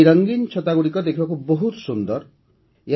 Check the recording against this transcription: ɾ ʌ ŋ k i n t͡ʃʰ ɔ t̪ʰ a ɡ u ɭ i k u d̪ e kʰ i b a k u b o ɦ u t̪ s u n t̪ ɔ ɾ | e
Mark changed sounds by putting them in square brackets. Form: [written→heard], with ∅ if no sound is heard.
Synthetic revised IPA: ɾ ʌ ŋ [k→ɡ] i n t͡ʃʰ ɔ [t̪ʰ→t̪] a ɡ u [ɭ→ɽ] i k [u→ɔ] d̪ e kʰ i b a k u b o ɦ u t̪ s u n [t̪→d̪] ɔ ɾ | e

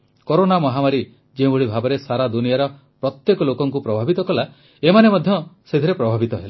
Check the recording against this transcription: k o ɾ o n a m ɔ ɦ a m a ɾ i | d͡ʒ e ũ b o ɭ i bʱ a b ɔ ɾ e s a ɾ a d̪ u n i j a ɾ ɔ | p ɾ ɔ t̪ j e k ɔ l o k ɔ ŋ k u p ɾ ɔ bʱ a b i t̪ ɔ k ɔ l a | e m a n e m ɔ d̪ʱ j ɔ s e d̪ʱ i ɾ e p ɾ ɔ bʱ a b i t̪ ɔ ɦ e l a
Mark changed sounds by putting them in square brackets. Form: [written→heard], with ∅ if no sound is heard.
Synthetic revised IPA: k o ɾ o n a m ɔ ɦ a m a ɾ i | d͡ʒ e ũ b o ɭ i bʱ a b ɔ ɾ e s a ɾ a d̪ u n i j a ɾ ɔ | p ɾ ɔ t̪ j e k ɔ l o k ɔ ŋ k u p ɾ ɔ bʱ a b i t̪ ɔ k ɔ l a | e m a n e m ɔ d̪ʱ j ɔ s e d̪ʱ i ɾ e p ɾ ɔ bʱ a b i t̪ ɔ ɦ e l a

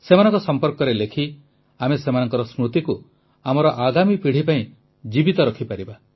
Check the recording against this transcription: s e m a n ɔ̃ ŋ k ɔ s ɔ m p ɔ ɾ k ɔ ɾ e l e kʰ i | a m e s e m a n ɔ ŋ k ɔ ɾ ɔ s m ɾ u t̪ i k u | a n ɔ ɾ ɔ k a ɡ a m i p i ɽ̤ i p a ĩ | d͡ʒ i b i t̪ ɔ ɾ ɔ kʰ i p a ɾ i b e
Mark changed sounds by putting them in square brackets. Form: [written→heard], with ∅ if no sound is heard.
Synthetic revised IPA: s e m a n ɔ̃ ŋ k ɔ s ɔ m p ɔ ɾ k ɔ ɾ e l e kʰ i | a m e s e m a n ɔ ŋ k ɔ ɾ ɔ s m ɾ u t̪ i k u | a [n→m] ɔ ɾ ɔ [k→ʔ] a ɡ a m i p i ɽ̤ i p a ĩ | d͡ʒ i b i t̪ ɔ ɾ ɔ kʰ i p a ɾ i b [e→a]

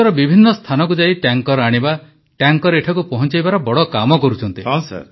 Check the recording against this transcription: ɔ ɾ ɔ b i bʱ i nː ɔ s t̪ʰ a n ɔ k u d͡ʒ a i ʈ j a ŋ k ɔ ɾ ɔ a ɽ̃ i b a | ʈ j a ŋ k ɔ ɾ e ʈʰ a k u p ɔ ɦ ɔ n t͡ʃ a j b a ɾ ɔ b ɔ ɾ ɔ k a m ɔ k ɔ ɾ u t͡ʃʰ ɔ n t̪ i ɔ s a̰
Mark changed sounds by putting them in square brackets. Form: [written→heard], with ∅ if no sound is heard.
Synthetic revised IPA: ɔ ɾ ɔ b i bʱ i nː ɔ s t̪ʰ a n ɔ k u d͡ʒ a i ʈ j a ŋ k ɔ ɾ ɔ a ɽ̃ i b a | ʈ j a ŋ k ɔ ɾ e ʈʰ a k u p ɔ ɦ ɔ n t͡ʃ a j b a ɾ ɔ b ɔ [ɾ→ɽ] ɔ k a m ɔ k ɔ ɾ u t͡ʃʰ ɔ n t̪ i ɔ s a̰

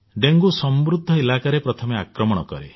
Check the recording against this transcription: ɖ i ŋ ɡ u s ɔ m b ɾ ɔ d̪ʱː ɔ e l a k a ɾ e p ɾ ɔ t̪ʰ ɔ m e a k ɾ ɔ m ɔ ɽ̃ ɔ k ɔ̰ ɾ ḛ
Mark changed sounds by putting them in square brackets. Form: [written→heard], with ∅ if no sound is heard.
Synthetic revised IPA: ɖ [i→e] ŋ ɡ u s ɔ m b ɾ [ɔ→u] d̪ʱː ɔ e l a k a ɾ e p ɾ ɔ t̪ʰ ɔ m e a k ɾ ɔ m ɔ ɽ̃ ɔ k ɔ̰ ɾ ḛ

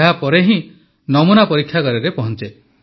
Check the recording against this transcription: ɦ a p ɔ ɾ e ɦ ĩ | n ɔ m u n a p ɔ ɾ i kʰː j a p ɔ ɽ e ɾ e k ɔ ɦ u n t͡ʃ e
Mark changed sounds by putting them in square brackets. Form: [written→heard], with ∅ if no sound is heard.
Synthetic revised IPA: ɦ a p ɔ ɾ e ɦ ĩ | n ɔ m u n a p ɔ ɾ i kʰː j a [p→k] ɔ [ɽ→ɾ] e ɾ e [k→p] ɔ ɦ [u→ɔ] n t͡ʃ e

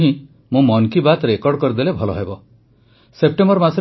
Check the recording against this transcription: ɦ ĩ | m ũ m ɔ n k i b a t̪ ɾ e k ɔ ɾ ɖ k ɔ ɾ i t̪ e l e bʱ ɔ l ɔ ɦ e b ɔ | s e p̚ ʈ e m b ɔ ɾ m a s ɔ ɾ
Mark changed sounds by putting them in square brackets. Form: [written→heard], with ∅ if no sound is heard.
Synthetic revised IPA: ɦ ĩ | m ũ m ɔ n k i b a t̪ ɾ e k ɔ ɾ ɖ k ɔ ɾ i [t̪→d̪] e l e bʱ ɔ l ɔ ɦ e b ɔ | s e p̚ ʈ e m b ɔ ɾ m a s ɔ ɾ

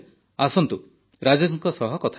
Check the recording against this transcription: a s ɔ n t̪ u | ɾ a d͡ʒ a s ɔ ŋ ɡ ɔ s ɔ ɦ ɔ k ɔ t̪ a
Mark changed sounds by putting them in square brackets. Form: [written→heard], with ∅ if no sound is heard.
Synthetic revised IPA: a s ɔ n t̪ u | ɾ a d͡ʒ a s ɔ ŋ [ɡ→k] ɔ s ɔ ɦ ɔ k ɔ [t̪→t̪ʰ] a

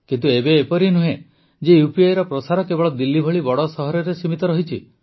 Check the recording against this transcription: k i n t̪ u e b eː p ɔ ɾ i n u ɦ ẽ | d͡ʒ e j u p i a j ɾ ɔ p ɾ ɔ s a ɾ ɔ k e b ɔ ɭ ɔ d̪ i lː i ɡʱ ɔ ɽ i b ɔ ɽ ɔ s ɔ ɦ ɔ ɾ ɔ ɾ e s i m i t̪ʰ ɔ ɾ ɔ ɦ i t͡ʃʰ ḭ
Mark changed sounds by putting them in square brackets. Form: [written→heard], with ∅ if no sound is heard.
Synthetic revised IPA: k i n t̪ u e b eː p ɔ ɾ i n u ɦ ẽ | d͡ʒ e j u p i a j ɾ ɔ p ɾ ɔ s a ɾ ɔ k e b ɔ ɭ ɔ d̪ i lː i [ɡʱ→bʱ] ɔ [ɽ→ɭ] i b ɔ ɽ ɔ s ɔ ɦ ɔ ɾ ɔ ɾ e s i m i [t̪ʰ→t̪] ɔ ɾ ɔ ɦ i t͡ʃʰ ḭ

